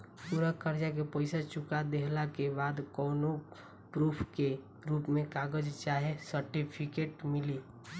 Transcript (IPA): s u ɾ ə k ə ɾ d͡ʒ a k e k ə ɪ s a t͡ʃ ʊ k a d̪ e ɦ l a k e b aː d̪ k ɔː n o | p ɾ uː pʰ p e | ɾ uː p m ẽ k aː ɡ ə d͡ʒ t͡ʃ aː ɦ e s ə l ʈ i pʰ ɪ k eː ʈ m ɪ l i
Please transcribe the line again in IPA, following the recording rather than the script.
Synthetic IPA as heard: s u ɾ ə k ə ɾ d͡ʒ a k e p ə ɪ s a t͡ʃ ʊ k a d̪ e ɦ l a k e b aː d̪ k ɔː n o | p ɾ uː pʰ k e | ɾ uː p m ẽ k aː ɡ ə d͡ʒ t͡ʃ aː ɦ e s ə ɾ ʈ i pʰ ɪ k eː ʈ m ɪ l i